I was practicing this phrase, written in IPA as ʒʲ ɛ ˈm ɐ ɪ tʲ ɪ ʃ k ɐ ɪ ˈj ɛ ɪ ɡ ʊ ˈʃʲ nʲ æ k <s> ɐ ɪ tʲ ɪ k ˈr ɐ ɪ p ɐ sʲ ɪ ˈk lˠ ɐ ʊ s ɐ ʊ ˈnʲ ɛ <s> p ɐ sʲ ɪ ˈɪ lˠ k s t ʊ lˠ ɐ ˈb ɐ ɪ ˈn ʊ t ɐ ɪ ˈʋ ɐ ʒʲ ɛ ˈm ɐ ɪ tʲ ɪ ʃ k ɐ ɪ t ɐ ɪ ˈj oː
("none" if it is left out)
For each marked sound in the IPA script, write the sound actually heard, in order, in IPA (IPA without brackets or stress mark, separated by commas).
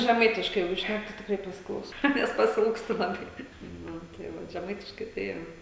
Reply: t, s